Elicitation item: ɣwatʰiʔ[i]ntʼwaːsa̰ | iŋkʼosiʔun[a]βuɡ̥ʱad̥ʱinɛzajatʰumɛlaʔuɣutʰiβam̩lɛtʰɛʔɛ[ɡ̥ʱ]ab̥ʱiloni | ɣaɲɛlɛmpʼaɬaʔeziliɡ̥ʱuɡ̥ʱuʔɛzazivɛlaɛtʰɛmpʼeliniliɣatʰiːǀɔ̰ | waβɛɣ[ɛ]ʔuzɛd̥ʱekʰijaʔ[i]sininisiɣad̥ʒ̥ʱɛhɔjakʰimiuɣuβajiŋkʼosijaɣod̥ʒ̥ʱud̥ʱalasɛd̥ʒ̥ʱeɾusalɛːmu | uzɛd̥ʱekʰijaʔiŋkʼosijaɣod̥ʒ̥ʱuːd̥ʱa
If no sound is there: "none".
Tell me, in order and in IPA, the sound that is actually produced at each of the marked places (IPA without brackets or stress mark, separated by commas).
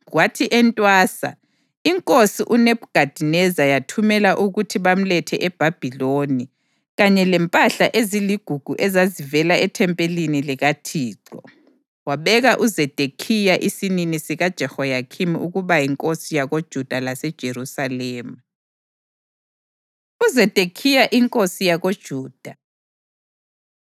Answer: ɛ, e, b̥ʱ, a, i